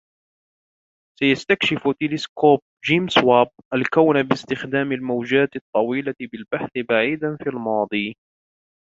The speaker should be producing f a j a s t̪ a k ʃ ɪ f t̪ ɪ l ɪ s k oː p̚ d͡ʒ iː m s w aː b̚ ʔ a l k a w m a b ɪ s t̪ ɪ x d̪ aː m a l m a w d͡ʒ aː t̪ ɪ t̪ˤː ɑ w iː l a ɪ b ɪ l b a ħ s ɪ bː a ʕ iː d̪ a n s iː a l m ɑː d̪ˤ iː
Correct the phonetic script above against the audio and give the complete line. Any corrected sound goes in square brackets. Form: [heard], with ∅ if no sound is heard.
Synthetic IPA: [s] a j a s t̪ a k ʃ ɪ f t̪ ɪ l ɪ s k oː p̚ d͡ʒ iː m s w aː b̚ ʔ a l k a w [n] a b ɪ s t̪ ɪ x d̪ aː m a l m a w d͡ʒ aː t̪ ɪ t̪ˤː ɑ w iː l a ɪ b ɪ l b a ħ [θ] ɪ [b] a ʕ iː d̪ a n [f] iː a l m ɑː d̪ˤ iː